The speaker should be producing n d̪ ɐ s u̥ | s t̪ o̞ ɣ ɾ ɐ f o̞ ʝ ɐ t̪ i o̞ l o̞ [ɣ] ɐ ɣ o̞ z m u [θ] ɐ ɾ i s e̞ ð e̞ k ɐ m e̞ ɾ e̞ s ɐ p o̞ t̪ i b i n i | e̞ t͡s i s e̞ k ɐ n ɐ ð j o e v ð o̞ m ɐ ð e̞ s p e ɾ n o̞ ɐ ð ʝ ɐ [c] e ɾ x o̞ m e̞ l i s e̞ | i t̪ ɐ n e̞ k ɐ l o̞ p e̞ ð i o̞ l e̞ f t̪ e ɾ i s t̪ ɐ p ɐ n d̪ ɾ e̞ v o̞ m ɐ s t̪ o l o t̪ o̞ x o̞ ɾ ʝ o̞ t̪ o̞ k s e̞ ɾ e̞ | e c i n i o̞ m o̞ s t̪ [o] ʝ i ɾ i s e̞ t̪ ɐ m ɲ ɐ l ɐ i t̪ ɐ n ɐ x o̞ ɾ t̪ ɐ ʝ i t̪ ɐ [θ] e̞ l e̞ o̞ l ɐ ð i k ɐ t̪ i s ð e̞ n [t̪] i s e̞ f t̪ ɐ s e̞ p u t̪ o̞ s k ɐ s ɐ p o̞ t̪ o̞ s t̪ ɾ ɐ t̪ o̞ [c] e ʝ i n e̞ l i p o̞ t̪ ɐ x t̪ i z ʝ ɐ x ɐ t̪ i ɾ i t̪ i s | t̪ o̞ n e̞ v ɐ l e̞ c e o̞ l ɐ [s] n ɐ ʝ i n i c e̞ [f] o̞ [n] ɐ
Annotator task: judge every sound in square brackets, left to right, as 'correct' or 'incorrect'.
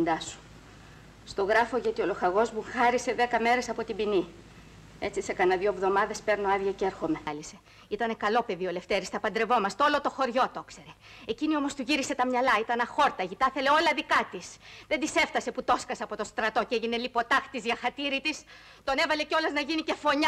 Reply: incorrect: x, incorrect: x, correct, incorrect: u, correct, incorrect: d̪, correct, incorrect: z, correct, incorrect: ɲ

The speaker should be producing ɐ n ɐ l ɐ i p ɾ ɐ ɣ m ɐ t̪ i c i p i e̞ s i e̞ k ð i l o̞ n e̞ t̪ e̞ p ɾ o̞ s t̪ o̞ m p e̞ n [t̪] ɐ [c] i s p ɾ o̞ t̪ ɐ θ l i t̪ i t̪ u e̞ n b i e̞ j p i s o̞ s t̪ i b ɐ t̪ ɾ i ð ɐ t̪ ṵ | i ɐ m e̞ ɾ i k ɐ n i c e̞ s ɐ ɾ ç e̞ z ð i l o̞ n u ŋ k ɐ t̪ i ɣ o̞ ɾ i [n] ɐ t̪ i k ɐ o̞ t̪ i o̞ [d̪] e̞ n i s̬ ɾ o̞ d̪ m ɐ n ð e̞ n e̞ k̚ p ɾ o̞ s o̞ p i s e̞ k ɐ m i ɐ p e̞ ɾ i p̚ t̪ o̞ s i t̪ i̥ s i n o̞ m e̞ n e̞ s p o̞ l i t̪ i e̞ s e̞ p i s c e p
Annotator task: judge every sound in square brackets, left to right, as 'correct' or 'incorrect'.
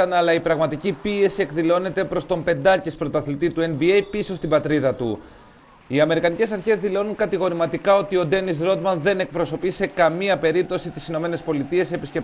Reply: incorrect: d̪, correct, incorrect: m, correct

